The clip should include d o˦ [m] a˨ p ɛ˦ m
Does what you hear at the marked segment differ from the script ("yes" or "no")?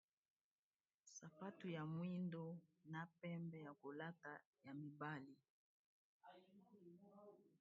yes